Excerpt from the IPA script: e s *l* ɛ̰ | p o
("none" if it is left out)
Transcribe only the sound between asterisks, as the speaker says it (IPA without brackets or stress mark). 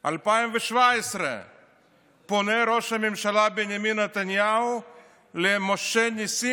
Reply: ɾ